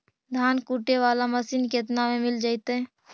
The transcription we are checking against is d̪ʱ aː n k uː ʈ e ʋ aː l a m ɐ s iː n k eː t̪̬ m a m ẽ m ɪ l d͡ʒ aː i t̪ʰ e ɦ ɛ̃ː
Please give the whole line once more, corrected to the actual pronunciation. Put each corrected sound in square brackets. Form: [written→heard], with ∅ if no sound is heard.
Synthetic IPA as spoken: d̪ʱ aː n k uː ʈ e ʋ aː l a m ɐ s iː n k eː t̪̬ [m→n] a m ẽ m ɪ l d͡ʒ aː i [t̪ʰ→t̪] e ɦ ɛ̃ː